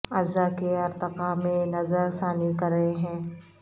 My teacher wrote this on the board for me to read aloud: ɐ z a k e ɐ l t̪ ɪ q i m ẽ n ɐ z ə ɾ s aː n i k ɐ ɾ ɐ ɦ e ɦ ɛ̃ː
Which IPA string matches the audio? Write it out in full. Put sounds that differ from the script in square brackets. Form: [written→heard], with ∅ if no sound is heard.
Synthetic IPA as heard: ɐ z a k e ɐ [l→ɾ] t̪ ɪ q [i→a] m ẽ n ɐ z ə ɾ s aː n i k ɐ ɾ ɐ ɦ e ɦ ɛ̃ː